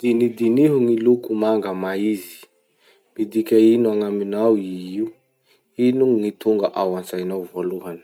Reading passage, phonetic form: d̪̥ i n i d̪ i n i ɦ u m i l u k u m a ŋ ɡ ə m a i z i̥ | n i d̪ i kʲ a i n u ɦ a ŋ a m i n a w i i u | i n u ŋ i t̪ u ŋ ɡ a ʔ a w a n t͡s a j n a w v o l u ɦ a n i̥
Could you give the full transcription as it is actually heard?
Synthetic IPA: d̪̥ i n i d̪ i n i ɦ u ŋ i l u k u m a ŋ ɡ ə m a i z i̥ | m i d̪ i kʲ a i n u a ŋ a m i n a w i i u | i n u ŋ i t̪ u ŋ ɡ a ʔ a w a n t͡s a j n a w v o l u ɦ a n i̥